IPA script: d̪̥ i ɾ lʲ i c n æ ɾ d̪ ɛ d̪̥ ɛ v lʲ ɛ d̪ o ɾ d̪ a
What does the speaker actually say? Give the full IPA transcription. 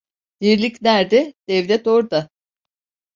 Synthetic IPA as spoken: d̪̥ i ɾ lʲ i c n æ ɾ d̪ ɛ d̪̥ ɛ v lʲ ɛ t̪ o ɾ d̪ a